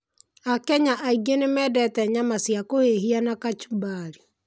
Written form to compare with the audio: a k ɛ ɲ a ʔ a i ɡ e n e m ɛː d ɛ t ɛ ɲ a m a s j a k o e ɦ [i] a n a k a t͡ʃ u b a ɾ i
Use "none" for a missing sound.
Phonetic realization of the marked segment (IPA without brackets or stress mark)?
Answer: i